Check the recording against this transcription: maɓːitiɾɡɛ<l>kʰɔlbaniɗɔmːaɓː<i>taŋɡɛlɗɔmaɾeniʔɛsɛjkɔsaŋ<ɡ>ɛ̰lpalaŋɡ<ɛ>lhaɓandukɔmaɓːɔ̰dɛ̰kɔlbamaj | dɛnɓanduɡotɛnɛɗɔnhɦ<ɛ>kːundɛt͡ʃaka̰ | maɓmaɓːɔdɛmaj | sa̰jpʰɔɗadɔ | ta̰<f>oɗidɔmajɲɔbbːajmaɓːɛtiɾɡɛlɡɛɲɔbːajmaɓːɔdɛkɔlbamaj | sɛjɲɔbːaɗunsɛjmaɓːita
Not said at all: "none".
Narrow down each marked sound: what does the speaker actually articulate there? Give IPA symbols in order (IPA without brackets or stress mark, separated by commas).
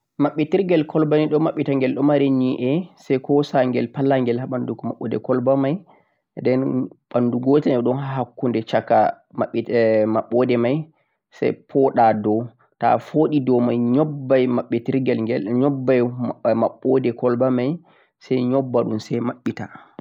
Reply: l, i, ɡ, ɛ, a, f